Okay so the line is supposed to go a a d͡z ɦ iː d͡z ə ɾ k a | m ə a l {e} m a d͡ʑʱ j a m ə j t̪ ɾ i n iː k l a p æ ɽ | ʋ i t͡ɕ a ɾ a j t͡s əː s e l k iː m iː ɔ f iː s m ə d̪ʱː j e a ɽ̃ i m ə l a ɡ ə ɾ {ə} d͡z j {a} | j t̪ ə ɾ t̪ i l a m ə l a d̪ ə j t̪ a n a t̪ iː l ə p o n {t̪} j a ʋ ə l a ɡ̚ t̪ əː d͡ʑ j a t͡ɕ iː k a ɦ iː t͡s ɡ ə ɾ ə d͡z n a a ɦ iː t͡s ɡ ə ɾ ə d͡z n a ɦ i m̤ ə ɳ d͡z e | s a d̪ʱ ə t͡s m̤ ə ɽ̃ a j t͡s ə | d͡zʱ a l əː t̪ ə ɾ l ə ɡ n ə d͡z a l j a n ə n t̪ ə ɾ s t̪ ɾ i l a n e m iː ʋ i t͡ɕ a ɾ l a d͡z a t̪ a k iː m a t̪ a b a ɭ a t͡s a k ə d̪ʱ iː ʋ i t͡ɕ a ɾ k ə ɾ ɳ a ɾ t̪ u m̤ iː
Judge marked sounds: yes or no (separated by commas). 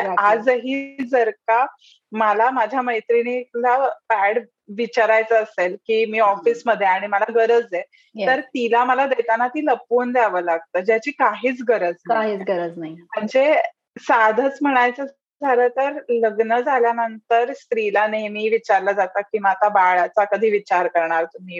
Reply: no, yes, no, no